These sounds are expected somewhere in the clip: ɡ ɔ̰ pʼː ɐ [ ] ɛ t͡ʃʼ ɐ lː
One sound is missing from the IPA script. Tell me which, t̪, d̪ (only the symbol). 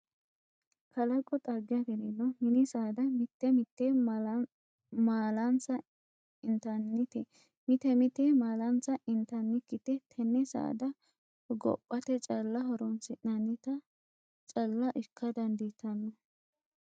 t̪